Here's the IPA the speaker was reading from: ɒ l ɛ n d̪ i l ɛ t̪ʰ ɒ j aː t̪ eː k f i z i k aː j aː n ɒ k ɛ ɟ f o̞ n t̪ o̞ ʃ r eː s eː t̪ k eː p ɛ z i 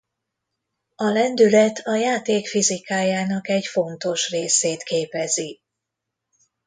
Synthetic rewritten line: ɒ l ɛ n d̪ y l ɛ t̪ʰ ɒ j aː t̪ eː k f i z i k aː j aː n ɒ k ɛ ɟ f o̞ n t̪ o̞ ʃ r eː s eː t̪ k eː p ɛ z i